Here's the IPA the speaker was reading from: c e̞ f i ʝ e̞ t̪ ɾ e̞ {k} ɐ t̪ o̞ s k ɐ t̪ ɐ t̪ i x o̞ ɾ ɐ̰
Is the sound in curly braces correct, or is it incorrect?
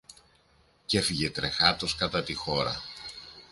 incorrect